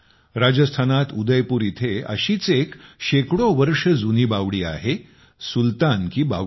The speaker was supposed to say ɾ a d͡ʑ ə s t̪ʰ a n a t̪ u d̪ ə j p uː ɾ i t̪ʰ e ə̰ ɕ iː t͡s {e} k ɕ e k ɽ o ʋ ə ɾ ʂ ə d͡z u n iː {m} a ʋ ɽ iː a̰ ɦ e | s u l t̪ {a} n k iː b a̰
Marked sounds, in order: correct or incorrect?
correct, incorrect: b, correct

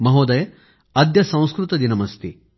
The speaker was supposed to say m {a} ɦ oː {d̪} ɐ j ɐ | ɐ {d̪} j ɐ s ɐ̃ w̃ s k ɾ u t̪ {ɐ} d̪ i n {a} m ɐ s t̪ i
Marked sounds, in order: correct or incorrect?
incorrect: ɐ, correct, correct, correct, incorrect: ɐ

